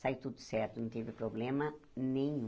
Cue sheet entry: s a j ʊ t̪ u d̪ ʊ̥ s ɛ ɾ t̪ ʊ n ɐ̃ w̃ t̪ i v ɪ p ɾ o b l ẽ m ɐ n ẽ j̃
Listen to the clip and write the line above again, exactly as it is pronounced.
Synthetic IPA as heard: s a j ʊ t̪ u d̪ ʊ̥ s ɛ ɾ t̪ ʊ n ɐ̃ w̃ t̪ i v ɪ p ɾ o b l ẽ m ɐ n ẽ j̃